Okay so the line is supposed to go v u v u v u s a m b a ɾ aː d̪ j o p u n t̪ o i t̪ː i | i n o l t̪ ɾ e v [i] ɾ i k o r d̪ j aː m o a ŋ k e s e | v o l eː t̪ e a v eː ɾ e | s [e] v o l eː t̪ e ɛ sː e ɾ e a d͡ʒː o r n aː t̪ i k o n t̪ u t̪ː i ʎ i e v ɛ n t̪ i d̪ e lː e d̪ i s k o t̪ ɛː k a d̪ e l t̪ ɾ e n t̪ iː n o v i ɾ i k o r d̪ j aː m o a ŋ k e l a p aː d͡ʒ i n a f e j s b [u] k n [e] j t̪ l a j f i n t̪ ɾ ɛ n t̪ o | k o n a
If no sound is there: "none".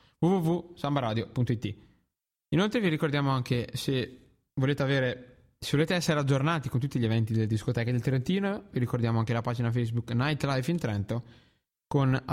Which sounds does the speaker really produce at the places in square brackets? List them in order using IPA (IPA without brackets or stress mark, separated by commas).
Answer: i, e, u, a